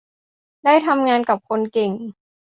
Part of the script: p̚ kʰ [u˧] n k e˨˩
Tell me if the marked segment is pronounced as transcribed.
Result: no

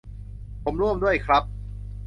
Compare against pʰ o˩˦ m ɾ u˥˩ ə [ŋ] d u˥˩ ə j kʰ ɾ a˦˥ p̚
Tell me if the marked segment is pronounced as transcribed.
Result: no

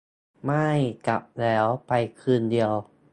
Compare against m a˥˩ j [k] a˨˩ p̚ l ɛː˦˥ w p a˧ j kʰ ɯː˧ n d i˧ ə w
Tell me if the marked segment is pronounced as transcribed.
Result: yes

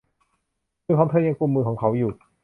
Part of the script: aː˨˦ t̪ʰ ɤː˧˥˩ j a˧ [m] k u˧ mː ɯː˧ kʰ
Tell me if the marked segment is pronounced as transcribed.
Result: no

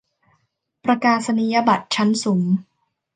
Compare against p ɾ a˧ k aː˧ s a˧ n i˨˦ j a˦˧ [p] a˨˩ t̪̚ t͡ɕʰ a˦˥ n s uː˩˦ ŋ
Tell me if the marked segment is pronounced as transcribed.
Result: no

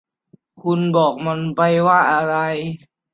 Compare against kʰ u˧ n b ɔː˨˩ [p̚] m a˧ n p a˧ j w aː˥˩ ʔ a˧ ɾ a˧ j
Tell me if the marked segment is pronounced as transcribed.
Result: no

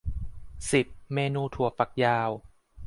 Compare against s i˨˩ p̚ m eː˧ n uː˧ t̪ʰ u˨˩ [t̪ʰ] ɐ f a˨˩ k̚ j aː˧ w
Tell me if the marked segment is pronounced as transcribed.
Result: no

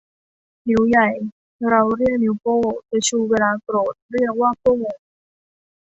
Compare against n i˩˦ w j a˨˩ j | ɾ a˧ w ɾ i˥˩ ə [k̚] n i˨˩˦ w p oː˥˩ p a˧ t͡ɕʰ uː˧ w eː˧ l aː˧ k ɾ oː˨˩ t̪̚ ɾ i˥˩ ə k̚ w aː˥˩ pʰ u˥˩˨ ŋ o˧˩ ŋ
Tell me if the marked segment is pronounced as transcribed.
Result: yes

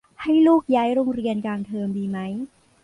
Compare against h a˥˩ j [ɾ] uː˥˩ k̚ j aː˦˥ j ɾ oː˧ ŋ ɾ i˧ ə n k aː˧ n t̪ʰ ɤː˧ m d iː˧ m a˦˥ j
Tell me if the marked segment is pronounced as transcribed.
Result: no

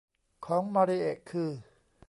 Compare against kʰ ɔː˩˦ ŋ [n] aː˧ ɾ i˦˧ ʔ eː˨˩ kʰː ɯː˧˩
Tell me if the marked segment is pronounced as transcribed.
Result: no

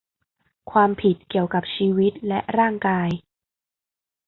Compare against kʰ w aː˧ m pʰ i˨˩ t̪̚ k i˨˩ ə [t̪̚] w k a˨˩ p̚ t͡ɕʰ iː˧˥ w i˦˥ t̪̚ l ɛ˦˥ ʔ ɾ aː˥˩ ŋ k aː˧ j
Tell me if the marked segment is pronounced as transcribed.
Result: no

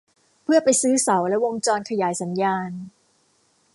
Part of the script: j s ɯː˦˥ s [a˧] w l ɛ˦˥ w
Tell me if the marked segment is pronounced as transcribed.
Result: no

